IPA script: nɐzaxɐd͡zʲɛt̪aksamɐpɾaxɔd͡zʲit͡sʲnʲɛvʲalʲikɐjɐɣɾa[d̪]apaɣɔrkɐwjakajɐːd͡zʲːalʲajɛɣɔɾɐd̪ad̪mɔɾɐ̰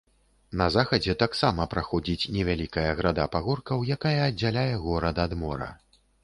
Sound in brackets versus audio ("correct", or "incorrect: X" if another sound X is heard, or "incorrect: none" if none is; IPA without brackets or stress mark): correct